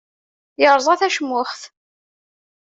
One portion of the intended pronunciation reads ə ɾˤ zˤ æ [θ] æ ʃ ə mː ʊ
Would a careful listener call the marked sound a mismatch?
no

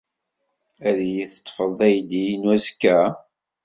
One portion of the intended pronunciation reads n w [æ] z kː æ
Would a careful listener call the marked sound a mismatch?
no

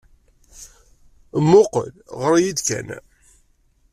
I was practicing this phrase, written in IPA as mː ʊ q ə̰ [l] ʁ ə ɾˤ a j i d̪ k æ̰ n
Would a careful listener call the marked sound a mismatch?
no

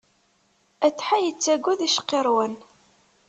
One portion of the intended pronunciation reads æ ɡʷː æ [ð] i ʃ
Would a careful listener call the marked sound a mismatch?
no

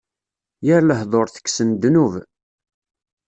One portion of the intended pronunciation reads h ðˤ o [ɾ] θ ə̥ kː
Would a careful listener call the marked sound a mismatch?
no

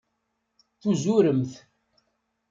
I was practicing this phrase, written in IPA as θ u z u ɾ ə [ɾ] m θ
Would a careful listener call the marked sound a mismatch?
yes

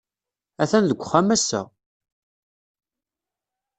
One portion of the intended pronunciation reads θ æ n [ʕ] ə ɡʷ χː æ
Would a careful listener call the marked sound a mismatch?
yes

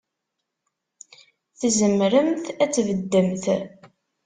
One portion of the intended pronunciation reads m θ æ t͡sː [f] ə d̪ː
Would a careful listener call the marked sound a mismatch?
yes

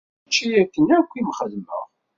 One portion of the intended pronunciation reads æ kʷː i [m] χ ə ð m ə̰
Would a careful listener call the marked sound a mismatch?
no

